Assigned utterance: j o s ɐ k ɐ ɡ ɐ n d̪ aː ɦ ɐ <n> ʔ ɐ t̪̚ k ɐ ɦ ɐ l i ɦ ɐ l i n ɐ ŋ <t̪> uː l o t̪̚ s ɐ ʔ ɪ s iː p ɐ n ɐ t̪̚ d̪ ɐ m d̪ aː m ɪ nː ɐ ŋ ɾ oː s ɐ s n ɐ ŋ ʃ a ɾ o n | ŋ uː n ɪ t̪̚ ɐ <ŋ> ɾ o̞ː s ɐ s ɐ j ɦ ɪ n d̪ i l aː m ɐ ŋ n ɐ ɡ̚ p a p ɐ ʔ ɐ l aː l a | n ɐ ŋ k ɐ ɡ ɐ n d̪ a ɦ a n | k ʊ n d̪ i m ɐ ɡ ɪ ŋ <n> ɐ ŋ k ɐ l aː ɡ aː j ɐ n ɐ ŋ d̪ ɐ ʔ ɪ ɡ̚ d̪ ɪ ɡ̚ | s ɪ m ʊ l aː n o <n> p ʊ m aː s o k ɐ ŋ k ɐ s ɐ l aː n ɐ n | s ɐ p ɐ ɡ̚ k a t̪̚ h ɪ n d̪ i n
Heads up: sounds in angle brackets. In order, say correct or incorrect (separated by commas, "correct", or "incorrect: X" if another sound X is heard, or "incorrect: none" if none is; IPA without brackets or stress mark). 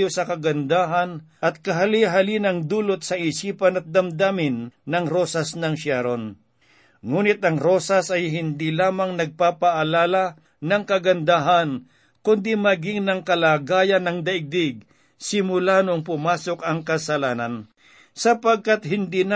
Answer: correct, incorrect: d̪, correct, correct, incorrect: ŋ